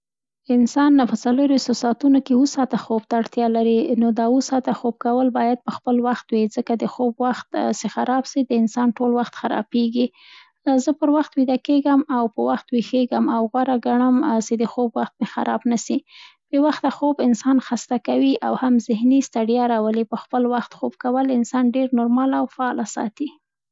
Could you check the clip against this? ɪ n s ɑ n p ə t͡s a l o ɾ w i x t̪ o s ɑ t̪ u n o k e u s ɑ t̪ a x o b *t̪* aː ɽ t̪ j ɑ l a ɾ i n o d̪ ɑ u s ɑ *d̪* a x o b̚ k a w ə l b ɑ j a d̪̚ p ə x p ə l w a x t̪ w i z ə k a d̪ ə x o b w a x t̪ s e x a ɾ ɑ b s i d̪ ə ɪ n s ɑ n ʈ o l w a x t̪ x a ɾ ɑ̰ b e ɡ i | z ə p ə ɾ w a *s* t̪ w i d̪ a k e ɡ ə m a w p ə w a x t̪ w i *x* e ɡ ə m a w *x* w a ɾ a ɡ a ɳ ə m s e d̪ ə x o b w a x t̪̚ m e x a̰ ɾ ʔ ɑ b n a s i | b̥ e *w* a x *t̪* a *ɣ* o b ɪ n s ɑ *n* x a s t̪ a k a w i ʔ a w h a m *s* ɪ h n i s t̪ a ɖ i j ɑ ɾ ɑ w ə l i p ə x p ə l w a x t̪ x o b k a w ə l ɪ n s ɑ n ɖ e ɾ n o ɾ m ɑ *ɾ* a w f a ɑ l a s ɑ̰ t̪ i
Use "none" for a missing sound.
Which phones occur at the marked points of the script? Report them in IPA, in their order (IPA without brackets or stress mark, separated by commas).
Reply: t̪, t̪, x, x, ɣ, w, t̪, x, n, z, l